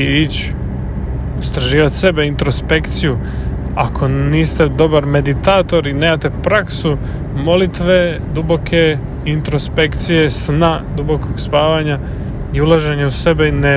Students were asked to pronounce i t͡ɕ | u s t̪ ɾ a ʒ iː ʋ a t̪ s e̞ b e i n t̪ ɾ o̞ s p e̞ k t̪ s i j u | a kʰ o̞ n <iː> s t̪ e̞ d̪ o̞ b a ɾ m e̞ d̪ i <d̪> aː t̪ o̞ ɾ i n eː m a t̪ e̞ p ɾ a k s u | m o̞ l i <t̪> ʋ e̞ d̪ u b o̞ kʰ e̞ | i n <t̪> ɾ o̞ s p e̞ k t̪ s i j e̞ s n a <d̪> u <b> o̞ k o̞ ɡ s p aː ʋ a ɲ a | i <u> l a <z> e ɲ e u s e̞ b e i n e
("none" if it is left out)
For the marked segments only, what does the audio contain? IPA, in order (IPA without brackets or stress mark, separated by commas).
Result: iː, t̪, t̪, t̪, d̪, b, u, ʒ